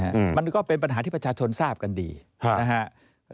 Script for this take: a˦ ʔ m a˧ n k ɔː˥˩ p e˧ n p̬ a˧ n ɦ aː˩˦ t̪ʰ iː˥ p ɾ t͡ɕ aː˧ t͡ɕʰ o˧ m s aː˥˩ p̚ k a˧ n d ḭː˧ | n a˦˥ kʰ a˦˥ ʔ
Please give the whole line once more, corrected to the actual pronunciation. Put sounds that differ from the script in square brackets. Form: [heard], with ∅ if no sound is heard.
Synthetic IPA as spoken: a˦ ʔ m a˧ n k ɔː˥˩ p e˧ n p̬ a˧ n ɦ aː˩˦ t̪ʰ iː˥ p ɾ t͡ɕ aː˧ t͡ɕʰ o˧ [n] s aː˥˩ p̚ k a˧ n d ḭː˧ | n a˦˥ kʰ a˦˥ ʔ